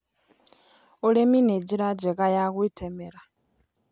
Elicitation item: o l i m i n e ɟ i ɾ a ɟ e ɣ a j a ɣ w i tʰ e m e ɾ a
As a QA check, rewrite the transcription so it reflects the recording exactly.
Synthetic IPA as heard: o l e m i n e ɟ i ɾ a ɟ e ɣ a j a ɣ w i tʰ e m e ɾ a